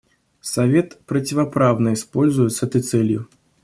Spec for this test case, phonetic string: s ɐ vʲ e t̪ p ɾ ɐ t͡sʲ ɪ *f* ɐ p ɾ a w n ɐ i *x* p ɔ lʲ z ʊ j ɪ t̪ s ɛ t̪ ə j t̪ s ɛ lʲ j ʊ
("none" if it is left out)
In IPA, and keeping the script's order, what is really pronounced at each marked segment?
v, s

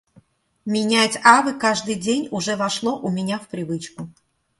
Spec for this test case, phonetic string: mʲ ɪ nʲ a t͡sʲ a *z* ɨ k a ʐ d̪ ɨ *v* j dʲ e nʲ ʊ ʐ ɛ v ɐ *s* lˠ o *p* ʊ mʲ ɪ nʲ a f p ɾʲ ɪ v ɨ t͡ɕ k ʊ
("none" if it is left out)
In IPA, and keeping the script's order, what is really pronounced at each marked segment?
v, none, ʂ, ʔ

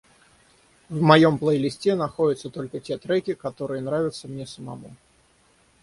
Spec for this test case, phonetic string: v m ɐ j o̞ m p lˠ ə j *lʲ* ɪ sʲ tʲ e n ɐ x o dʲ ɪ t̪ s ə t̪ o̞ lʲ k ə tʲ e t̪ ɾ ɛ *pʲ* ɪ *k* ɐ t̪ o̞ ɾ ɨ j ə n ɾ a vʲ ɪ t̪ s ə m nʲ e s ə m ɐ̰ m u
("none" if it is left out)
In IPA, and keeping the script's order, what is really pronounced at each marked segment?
lʲ, kʲ, k

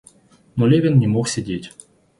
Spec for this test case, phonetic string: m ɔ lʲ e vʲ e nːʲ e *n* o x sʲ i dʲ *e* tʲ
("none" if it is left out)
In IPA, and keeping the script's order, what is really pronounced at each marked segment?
m, e

